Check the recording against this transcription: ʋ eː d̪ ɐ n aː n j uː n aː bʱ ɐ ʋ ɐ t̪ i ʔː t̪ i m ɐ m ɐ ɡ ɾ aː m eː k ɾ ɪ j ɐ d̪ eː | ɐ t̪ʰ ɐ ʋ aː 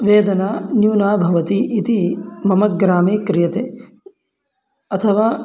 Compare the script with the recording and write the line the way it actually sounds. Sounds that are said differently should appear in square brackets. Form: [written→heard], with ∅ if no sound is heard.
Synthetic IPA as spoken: ʋ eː d̪ ɐ n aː n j uː n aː bʱ ɐ ʋ ɐ t̪ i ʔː t̪ i m ɐ m ɐ ɡ ɾ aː m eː k ɾ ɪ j ɐ [d̪→t̪] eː | ɐ t̪ʰ ɐ ʋ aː